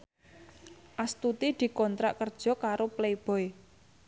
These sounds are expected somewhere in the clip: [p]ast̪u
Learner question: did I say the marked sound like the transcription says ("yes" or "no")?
no